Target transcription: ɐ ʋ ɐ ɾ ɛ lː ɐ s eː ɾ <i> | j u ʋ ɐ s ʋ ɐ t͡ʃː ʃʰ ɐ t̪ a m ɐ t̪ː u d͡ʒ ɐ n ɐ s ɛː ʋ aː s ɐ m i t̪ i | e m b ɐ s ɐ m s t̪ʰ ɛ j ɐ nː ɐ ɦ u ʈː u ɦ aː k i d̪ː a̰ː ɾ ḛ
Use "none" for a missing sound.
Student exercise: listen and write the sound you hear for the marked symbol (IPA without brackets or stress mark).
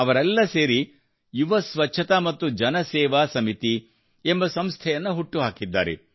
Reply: i